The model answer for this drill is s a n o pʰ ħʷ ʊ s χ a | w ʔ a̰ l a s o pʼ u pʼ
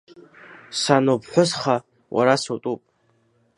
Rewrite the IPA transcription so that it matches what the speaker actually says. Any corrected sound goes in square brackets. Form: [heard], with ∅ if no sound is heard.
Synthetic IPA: s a n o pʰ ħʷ ʊ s χ a | w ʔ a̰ [ɾ] a s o [tʼ] u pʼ